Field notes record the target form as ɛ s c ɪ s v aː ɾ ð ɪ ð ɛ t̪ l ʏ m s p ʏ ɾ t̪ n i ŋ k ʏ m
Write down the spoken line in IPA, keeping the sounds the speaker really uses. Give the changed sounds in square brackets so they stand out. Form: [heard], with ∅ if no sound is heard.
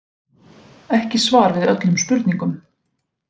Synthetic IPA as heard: ɛ [h] c ɪ s v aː ɾ [v] ɪ ð [œ] t̪ l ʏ m s p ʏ ɾ t̪ n i ŋ k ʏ m